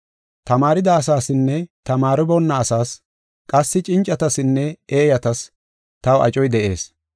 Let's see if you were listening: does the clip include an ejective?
yes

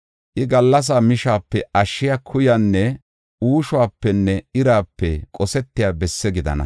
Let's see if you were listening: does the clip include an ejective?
yes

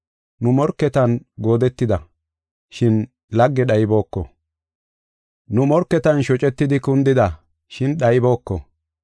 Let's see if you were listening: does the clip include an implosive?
yes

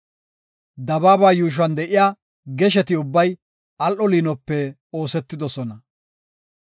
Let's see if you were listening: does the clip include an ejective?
no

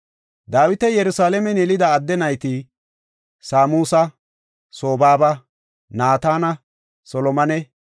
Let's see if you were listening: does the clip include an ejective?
no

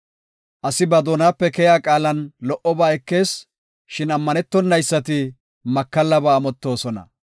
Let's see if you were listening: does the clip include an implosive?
no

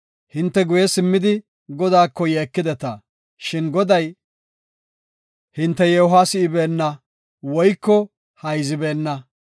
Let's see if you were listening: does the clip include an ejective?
no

